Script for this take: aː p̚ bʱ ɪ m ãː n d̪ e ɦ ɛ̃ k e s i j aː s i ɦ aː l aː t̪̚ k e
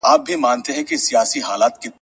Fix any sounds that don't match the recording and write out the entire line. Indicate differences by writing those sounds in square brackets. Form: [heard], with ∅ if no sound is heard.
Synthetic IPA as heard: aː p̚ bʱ [i] m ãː n [t̪] e ɦ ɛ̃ k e s i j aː s i ɦ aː l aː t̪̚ k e